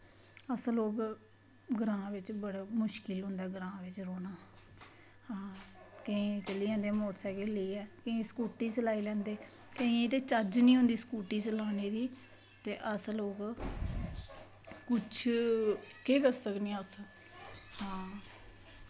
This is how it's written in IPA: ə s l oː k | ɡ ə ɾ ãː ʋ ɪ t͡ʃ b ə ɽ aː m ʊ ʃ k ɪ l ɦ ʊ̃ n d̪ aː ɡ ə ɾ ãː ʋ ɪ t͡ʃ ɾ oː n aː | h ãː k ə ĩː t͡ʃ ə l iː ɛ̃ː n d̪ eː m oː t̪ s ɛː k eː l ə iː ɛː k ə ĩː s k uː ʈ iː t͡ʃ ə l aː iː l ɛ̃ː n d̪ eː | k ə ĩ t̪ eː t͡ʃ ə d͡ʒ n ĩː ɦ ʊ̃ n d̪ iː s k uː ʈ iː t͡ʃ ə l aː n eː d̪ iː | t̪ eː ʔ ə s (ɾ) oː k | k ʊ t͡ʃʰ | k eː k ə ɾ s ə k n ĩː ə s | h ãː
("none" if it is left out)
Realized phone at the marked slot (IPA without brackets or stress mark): l